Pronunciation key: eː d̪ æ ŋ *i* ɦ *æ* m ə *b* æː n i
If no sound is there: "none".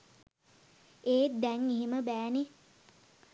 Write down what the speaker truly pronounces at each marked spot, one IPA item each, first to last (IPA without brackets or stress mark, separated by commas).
i, i, b